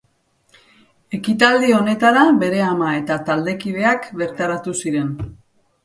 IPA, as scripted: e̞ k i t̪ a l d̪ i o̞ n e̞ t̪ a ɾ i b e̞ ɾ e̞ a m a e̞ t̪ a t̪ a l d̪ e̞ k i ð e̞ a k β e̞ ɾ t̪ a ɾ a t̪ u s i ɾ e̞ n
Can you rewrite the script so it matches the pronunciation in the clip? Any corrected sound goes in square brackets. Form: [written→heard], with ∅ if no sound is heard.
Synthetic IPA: e̞ k i t̪ a l d̪ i o̞ n e̞ t̪ a ɾ [i→a] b e̞ ɾ e̞ a m a e̞ t̪ a t̪ a l d̪ e̞ k i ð e̞ a k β e̞ ɾ t̪ a ɾ a t̪ u s i ɾ e̞ n